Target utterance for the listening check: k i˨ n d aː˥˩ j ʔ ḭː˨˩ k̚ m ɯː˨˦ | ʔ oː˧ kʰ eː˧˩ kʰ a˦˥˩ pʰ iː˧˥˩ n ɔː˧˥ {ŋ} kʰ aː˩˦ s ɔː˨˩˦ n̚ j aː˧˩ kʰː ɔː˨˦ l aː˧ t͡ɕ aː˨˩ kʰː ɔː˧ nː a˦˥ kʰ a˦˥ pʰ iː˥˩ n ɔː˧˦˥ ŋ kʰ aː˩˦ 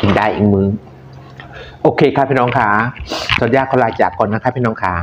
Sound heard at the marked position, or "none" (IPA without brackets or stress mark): ŋ